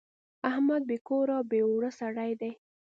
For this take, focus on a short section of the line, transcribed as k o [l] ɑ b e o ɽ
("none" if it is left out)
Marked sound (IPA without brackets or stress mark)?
ɾ